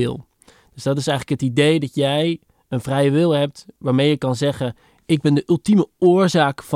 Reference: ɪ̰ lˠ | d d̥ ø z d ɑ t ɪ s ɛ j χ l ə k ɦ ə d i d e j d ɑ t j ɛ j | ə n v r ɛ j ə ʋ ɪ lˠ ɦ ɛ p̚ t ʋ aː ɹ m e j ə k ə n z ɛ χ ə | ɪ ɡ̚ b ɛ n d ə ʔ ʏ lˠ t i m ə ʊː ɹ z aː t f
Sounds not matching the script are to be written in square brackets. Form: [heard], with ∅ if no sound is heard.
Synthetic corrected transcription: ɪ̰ lˠ | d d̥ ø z d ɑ t ɪ s ɛ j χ l ə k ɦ ə [t] i d e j d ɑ t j ɛ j | ə n v r ɛ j ə ʋ ɪ lˠ ɦ ɛ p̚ t ʋ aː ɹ m e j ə k [ɑ] n z ɛ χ ə | ɪ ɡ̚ b ɛ n d ə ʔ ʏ lˠ t i m ə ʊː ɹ z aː [k] f